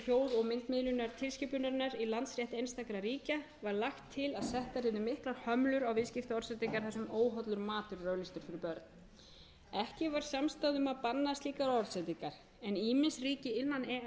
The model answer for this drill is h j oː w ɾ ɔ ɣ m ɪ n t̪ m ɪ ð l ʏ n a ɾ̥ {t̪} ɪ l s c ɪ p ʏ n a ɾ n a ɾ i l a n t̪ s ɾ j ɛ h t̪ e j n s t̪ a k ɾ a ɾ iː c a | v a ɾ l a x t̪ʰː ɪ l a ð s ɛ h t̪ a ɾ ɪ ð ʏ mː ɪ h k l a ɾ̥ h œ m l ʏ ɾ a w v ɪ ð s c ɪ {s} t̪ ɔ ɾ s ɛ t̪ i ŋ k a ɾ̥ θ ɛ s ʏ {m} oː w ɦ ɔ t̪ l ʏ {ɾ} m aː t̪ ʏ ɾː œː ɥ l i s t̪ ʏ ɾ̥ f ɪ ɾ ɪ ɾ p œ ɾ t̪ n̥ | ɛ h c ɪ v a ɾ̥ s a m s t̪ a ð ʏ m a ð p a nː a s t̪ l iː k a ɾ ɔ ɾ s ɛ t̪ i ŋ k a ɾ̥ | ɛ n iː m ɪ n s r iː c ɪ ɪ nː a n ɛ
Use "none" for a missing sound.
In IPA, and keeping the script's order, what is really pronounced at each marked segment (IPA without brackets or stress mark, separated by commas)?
t̪ʰ, f, m, ɾ